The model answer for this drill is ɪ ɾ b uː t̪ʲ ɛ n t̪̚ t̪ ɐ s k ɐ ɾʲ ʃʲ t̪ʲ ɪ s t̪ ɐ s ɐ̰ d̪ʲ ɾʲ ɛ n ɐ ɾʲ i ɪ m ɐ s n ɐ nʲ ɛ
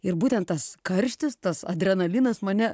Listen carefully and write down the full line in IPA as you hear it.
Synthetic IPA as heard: ɪ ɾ b uː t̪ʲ ɛ n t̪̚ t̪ ɐ s k ɐ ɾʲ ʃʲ t̪ʲ ɪ s t̪ ɐ s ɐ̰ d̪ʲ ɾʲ ɛ n ɐ lʲ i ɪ n ɐ s m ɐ nʲ ɛ

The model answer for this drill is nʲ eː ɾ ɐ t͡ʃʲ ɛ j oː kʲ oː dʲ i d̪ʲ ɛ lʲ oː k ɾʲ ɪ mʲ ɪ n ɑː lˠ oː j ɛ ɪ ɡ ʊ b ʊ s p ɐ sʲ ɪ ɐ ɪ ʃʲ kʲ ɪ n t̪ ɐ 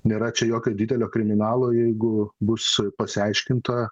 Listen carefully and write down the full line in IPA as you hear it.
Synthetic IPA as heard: nʲ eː ɾ ɐ t͡ʃʲ ɛ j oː kʲ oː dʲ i d̪ʲ ɛ lʲ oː k ɾʲ ɪ mʲ ɪ n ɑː lˠ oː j ɛ ɪ ɡ ʊ b ʊ s p ɐ sʲ ɪ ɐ ɪ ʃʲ kʲ ɪ n t̪ ɐ

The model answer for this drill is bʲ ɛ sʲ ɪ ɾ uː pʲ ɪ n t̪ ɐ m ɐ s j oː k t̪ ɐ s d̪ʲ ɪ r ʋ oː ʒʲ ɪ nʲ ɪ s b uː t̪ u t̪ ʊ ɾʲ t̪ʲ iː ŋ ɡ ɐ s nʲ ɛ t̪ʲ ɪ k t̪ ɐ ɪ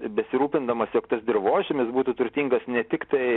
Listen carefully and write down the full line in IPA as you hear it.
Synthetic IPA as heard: bʲ ɛ sʲ ɪ ɾ uː pʲ ɪ n d̪ ɐ m ɐ s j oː k t̪ ɐ s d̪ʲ ɪ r ʋ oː ʒʲ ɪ mʲ ɪ s b uː t̪ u t̪ ʊ ɾʲ t̪ʲ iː ŋ ɡ ɐ s nʲ ɛ t̪ʲ ɪ k t̪ ɐ ɪ

